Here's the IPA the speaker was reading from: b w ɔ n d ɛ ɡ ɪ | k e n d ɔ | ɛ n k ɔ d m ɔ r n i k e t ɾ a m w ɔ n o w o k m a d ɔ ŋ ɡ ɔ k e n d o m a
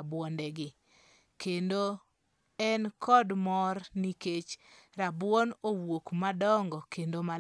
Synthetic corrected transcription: b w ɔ n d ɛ ɡ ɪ | k e n d o | ɛ n k ɔ d m ɔ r n i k e t͡ʃ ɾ a b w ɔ n o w o k m a d ɔ ŋ ɡ ɔ k e n d o m a